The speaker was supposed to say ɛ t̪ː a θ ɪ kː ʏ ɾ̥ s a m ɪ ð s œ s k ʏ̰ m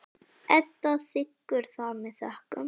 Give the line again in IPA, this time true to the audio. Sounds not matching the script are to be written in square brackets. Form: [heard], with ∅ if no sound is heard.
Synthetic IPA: ɛ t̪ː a θ ɪ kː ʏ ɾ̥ [θ] a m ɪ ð [θ] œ [h] k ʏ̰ m